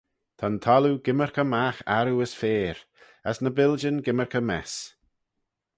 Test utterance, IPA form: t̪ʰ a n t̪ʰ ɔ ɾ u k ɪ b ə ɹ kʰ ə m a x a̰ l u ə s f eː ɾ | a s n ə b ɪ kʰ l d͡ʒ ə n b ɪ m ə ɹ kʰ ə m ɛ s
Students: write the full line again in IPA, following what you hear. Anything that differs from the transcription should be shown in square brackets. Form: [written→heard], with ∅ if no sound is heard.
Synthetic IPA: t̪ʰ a n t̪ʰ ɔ [ɾ→l] u [k→ɡ] ɪ [b→m] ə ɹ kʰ ə m a x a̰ [l→ɾ] u ə s f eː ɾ | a s n ə b ɪ [kʰ→∅] l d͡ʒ ə n [b→ɡ] ɪ m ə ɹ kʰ ə m ɛ s